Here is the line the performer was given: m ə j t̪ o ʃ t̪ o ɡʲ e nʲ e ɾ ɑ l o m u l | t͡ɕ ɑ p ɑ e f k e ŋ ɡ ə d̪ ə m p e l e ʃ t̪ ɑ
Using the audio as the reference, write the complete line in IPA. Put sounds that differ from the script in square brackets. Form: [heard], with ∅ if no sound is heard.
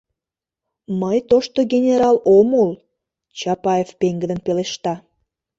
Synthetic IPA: m ə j t̪ o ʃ t̪ o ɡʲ e nʲ e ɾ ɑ l o m u l | t͡ɕ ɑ p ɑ e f [p] e ŋ ɡ ə d̪ ə [n] p e l e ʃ t̪ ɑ